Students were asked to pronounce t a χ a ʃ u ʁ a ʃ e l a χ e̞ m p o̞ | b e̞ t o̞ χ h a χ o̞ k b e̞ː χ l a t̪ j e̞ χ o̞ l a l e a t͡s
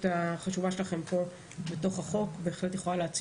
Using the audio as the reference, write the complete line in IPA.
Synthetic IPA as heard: t a χ a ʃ u v a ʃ e l a χ e̞ m p o̞ | b e̞ t o̞ χ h a χ o̞ k b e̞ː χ l e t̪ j e̞ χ o̞ l a l e a t͡s